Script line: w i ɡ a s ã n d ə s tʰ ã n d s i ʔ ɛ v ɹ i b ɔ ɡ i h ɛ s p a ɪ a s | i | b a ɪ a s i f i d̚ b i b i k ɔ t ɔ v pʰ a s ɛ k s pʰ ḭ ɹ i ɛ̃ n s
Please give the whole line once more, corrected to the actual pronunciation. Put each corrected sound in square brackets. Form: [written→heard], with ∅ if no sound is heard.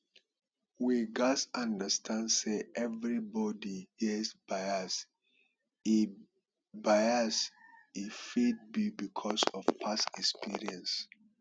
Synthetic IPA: w i ɡ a s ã n d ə s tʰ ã n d s [i→e] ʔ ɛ v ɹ i b ɔ [ɡ→d] i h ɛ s [p→b] a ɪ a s | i | b a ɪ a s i f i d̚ b i b i [k→kʰ] ɔ [t→s] ɔ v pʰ a s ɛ k s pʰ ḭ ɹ i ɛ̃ n s

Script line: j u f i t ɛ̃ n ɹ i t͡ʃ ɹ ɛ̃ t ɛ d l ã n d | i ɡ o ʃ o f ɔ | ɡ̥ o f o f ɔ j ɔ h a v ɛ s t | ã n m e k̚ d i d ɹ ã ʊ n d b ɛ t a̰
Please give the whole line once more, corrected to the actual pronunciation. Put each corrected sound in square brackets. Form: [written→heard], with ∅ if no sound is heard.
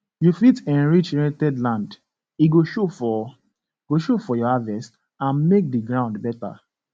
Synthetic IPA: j u f i t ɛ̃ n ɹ i t͡ʃ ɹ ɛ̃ t ɛ d l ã n d | i ɡ o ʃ o f ɔ | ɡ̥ o [f→ʃ] o f ɔ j ɔ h a v ɛ s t | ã n m e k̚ d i [d→ɡ] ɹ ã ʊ n d b ɛ t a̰

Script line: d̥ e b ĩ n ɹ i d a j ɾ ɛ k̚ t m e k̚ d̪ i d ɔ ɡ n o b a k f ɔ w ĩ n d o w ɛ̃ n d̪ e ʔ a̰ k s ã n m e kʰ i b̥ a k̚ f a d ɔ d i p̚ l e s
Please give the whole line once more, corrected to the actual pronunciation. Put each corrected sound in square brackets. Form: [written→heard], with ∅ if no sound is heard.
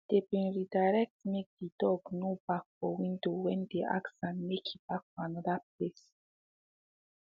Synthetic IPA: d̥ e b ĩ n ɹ i d a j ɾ ɛ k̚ t m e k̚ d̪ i d ɔ ɡ n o b a k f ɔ w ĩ n d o w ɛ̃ n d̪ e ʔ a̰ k s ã n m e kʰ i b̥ a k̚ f a [d→n] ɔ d [i→a] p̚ l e s

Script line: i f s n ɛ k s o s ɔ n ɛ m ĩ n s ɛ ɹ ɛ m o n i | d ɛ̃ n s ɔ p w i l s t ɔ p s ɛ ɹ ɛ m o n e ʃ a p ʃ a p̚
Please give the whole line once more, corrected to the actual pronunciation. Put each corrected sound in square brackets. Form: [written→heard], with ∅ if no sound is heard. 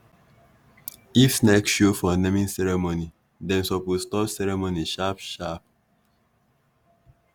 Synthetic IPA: i f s n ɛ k [s→ʃ] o [s→f] ɔ n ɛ m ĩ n s ɛ ɹ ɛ m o n i | d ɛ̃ n s ɔ p w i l s t ɔ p s ɛ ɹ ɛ m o n [e→i] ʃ a p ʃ a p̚

